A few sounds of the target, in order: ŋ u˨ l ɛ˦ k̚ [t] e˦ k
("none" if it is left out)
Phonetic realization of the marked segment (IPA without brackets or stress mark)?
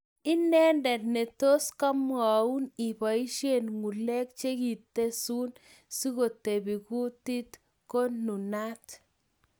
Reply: t͡ʃ